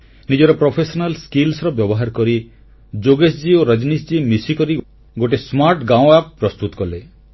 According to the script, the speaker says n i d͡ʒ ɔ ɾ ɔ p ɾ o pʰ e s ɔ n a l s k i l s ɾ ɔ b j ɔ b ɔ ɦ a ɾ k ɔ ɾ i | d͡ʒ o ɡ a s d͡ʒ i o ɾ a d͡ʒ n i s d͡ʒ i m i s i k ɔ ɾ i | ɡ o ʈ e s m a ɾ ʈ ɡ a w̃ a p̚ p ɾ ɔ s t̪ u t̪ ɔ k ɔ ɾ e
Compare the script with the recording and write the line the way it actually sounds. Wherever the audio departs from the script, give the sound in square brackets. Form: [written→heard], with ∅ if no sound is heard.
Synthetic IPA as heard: n i d͡ʒ ɔ ɾ ɔ p ɾ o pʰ e s ɔ n a l s k i l s ɾ ɔ b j ɔ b ɔ ɦ a ɾ k ɔ ɾ i | d͡ʒ o ɡ [a→e] s d͡ʒ i o ɾ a d͡ʒ n i s d͡ʒ i m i s i k ɔ ɾ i | ɡ o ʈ e s m a ɾ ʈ ɡ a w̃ a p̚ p ɾ ɔ s t̪ u t̪ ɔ k ɔ [ɾ→l] e